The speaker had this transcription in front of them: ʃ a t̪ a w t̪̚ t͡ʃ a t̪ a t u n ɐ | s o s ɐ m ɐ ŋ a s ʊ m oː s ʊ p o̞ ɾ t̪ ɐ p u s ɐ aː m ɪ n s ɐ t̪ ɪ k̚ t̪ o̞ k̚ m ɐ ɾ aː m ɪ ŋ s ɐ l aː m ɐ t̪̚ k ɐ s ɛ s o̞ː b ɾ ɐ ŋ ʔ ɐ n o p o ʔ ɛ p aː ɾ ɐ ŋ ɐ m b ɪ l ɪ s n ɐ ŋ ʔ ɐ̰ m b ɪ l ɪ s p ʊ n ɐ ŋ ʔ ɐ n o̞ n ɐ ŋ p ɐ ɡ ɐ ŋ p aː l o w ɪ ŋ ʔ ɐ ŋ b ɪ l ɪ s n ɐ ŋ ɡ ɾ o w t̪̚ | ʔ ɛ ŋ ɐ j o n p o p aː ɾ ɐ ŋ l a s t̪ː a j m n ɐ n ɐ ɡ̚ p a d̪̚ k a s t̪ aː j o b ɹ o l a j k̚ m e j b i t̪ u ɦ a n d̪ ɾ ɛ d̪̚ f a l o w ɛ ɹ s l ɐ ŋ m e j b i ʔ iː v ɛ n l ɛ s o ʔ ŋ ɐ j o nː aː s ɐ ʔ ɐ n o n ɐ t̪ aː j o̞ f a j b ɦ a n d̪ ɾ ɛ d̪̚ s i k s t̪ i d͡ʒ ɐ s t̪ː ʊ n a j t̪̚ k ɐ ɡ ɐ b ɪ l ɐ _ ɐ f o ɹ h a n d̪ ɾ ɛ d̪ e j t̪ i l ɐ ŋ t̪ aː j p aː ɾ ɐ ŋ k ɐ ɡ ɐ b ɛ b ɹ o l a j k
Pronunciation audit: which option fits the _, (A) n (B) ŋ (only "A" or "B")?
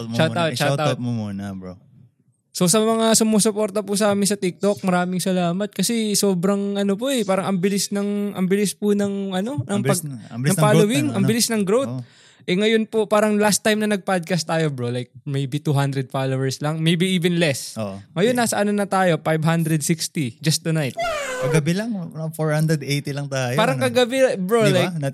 B